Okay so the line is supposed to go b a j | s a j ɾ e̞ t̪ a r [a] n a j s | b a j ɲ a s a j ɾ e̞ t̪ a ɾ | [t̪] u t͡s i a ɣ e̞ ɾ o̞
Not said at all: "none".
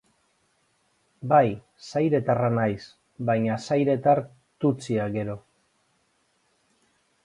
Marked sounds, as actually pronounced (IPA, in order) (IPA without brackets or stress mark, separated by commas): a, t̪